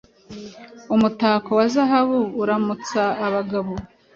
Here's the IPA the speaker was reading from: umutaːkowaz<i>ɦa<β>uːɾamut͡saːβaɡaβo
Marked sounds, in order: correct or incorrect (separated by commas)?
incorrect, correct